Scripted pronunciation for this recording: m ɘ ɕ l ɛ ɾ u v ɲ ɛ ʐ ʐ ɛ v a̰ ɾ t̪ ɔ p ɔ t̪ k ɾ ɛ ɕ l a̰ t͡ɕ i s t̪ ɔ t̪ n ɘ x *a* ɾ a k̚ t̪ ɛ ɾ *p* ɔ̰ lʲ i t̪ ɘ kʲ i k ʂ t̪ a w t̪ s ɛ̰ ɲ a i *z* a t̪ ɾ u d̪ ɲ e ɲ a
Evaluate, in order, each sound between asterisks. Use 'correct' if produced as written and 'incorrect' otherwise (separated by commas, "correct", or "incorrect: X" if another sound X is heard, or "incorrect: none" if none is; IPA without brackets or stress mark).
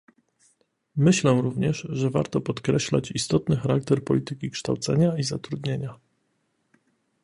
correct, correct, correct